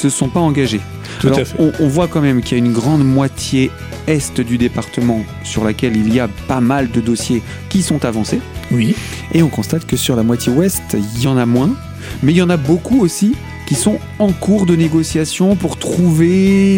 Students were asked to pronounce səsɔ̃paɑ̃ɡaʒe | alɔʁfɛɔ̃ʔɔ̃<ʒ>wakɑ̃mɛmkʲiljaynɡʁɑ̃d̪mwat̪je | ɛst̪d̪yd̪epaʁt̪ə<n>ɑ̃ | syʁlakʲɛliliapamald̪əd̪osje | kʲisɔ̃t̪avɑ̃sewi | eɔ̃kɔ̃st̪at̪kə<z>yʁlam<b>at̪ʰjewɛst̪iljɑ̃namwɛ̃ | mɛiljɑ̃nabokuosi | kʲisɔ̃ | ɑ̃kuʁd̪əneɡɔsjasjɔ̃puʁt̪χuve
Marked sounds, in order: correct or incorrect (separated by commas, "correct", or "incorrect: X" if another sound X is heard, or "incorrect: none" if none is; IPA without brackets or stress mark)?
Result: incorrect: v, incorrect: m, incorrect: s, incorrect: w